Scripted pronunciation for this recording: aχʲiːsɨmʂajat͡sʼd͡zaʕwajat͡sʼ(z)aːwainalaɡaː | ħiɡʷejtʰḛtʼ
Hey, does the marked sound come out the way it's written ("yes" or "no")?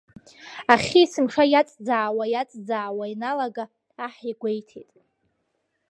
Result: no